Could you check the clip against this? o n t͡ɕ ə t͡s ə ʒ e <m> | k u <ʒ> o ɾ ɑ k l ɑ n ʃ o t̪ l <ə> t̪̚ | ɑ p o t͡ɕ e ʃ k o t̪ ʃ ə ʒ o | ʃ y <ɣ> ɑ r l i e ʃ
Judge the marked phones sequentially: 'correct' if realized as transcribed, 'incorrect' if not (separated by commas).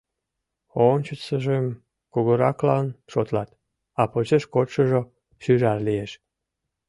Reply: correct, incorrect, incorrect, incorrect